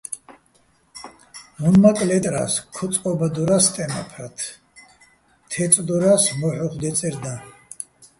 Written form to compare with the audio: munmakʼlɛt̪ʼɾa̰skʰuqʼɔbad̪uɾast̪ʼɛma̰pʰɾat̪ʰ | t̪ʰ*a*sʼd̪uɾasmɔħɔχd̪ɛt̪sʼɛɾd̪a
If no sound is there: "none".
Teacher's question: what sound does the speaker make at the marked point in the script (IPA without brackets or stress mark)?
ɛ